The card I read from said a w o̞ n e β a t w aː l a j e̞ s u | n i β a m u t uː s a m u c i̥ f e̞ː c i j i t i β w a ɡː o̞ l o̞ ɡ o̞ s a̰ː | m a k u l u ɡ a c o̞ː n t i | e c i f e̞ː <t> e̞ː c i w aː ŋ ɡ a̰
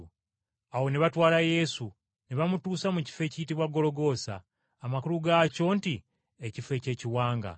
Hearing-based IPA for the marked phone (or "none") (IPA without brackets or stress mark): c